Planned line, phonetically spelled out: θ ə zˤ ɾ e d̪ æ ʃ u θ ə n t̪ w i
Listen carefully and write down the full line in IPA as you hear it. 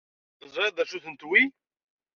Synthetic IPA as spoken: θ ə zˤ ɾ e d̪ æ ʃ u θ ə n t̪ w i

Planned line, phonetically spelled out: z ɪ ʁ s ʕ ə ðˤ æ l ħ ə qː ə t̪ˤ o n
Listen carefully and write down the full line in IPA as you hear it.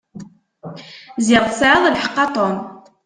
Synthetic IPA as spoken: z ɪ ʁ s ʕ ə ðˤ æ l ħ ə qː ɑ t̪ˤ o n

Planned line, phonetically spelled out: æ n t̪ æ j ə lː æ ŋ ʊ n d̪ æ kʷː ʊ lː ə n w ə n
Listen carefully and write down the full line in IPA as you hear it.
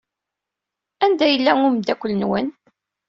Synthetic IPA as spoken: æ n d̪ æ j ə lː æ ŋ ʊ m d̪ æ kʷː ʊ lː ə n w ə n

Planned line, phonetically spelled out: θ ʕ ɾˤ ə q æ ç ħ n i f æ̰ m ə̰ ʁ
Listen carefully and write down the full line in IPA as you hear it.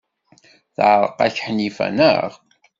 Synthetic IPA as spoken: θ ʕ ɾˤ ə q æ ç ħ n i f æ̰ n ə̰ ʁ

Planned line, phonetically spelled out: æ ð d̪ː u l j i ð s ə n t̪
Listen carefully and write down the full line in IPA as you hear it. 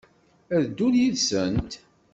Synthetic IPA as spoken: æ ð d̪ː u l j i ð s ə n t̪

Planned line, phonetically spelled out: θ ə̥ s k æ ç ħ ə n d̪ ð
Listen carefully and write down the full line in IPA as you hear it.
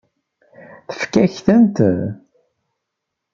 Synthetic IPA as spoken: θ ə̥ f k æ ç θ ə n t̪ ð

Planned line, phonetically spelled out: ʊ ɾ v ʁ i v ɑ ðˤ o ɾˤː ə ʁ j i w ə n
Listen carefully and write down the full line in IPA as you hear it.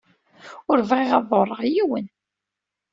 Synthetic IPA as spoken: ʊ ɾ v ʁ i ʁ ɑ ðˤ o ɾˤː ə ʁ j i w ə n

